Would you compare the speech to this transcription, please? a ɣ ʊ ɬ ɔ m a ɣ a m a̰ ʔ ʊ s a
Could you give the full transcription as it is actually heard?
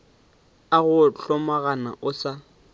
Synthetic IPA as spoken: a ɣ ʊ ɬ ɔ m a ɣ a n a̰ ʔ ʊ s a

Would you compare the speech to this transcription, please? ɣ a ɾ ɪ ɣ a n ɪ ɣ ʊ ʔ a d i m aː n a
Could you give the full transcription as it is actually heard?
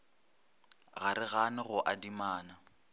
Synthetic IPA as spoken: ɣ a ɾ ɪ ɣ a n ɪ ɣ ʊ ʔ a d i m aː n a

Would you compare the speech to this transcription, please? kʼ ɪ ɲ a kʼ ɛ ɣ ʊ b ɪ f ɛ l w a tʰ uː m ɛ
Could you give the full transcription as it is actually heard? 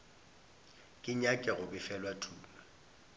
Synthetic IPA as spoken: kʼ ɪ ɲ a kʼ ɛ ɣ ʊ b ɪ f ɛ l w a tʰ uː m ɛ

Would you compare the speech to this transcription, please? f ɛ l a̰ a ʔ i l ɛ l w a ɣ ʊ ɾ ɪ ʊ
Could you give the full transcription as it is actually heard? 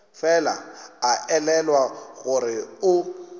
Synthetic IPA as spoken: f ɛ l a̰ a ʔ ɛ l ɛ l w a ɣ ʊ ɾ ɪ ʊ

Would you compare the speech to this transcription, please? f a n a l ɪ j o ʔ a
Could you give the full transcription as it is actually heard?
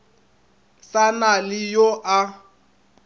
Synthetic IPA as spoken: s a n a l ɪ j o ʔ a

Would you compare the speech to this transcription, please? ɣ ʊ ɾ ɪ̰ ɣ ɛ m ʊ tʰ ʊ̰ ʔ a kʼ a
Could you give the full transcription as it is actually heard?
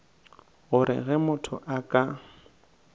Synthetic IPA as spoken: ɣ ʊ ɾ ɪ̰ ɣ ɛ m ʊ tʰ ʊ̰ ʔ a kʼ a

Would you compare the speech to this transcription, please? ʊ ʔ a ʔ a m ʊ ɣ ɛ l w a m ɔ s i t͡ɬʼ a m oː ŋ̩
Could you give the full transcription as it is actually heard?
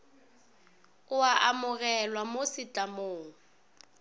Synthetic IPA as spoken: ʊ a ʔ a m ʊ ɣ ɛ l w a m o s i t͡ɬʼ a m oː ŋ̩

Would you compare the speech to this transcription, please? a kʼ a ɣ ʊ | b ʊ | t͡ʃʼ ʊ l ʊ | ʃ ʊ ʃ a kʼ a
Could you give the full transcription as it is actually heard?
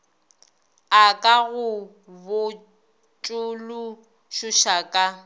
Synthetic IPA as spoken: a kʼ a ɣ ʊ | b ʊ | t͡ʃʼ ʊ l ʊ | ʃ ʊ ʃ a kʼ a

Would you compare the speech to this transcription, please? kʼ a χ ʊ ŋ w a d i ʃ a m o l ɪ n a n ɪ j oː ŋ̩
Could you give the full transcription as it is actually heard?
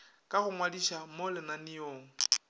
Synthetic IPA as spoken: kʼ a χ ʊ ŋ w a d i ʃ a m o l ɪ n a n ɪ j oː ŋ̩

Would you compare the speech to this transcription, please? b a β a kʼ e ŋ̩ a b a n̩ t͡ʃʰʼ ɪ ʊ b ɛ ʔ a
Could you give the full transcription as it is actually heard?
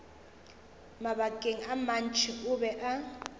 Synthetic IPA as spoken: m a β a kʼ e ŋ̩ a m a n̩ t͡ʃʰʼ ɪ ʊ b ɛ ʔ a

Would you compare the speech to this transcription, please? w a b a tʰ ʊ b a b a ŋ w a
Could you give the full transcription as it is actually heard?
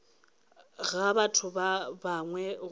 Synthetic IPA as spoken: ɣ a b a tʰ ʊ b a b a ŋ w ɛ

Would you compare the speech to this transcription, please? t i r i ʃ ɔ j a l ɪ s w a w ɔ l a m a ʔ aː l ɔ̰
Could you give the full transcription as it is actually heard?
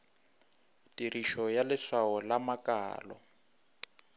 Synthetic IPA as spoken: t i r i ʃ ɔ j a l ɪ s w a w ɔ l a m a k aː l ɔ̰

